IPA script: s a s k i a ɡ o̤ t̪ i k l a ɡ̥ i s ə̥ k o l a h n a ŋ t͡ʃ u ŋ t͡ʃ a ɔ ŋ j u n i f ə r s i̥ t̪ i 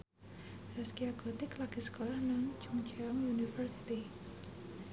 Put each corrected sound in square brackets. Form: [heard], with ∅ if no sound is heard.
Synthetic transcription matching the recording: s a s k i a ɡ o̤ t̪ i k l a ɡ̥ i s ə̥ k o l a h n a ŋ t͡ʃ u ŋ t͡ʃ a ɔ ŋ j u n i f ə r s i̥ t̪ i